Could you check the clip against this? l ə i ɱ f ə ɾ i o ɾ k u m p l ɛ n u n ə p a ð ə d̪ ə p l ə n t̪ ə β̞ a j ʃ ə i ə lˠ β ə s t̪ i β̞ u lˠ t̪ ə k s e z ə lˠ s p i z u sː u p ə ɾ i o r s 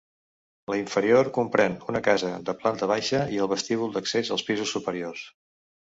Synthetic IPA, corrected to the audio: l ə i ɱ f ə ɾ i o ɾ k u m p ɾ ɛ n u n ə k a z ə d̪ ə p l a n t̪ ə β̞ a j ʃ ə i ə lˠ β ə s t̪ i β̞ u lˠ d̪ ə k s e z ə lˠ s p i z u sː u p ə ɾ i o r s